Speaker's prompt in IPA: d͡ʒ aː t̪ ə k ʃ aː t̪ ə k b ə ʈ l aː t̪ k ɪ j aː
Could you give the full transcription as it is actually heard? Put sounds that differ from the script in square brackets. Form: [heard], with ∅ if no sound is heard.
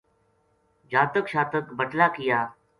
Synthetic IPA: d͡ʒ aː t̪ ə k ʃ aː t̪ ə k b ə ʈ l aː [∅] k ɪ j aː